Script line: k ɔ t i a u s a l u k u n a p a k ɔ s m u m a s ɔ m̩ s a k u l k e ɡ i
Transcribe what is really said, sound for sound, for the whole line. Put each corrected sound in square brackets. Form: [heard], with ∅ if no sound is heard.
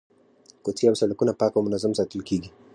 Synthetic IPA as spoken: k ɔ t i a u s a l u k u n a p a k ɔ [∅] m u [n] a [z] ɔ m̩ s a [t] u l k [i] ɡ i